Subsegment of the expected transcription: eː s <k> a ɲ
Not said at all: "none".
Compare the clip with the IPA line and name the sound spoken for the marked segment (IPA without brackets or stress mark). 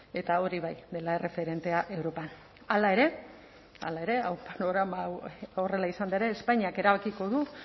p